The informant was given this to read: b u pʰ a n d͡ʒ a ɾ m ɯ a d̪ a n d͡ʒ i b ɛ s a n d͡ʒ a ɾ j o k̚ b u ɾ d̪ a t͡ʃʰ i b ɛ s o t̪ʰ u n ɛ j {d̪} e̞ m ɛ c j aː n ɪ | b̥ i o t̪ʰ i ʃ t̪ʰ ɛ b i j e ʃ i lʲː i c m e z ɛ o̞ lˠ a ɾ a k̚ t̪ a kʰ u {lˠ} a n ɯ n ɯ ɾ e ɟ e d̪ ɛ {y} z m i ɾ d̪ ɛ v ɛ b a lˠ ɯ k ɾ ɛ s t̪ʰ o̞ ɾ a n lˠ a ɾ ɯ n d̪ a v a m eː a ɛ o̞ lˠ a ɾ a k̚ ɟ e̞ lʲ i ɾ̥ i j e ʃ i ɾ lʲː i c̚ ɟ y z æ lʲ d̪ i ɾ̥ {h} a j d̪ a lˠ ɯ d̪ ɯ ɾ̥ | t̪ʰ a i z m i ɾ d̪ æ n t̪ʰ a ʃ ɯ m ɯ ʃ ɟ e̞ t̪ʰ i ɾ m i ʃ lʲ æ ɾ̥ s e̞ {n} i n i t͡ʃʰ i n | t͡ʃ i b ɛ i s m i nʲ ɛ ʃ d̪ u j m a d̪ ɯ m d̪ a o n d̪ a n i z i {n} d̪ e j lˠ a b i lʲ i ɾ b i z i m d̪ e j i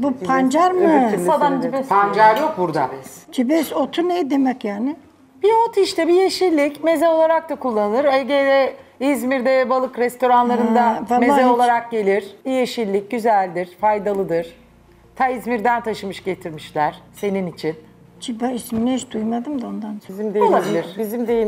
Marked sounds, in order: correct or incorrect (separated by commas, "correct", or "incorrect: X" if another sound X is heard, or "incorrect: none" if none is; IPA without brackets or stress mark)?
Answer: correct, incorrect: lˠː, incorrect: i, incorrect: f, correct, incorrect: m